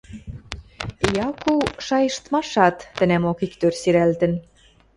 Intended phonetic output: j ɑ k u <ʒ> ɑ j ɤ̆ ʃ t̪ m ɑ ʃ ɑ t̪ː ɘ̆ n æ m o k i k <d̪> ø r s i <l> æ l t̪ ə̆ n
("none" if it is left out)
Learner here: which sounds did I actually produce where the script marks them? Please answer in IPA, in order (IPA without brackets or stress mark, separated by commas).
ʃ, t̪, ɾ